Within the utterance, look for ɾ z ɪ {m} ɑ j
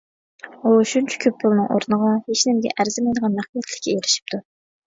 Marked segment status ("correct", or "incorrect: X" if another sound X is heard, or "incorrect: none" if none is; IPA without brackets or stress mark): correct